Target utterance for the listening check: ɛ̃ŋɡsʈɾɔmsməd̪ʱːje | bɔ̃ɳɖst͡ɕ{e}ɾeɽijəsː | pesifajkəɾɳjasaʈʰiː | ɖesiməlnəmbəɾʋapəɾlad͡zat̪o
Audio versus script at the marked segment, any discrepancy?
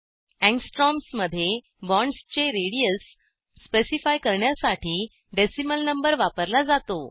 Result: no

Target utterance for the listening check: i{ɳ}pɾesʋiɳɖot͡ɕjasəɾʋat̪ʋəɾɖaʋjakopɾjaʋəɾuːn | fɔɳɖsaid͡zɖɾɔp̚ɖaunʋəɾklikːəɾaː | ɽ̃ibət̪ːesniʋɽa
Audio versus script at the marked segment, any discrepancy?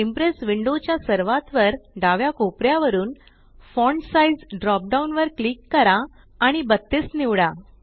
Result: yes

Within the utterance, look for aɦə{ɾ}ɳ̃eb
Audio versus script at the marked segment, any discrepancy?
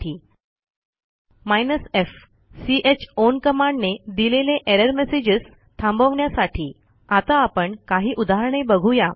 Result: no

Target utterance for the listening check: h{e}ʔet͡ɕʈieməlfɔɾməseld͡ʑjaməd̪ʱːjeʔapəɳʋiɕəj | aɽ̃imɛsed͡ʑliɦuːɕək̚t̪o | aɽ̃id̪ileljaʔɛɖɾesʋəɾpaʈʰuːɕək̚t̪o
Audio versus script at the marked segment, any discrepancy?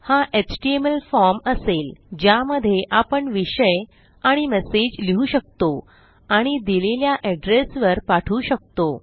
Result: yes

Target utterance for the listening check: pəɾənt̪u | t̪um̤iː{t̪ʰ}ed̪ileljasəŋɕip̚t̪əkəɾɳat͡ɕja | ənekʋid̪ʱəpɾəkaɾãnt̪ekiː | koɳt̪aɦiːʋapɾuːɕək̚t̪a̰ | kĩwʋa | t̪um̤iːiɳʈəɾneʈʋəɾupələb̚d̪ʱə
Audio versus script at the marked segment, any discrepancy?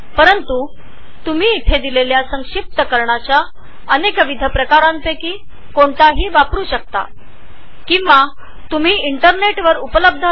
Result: no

